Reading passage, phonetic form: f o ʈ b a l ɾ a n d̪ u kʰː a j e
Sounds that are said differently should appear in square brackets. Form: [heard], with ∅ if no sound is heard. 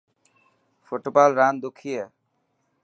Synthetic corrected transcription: f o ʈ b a l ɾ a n d̪ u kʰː [i] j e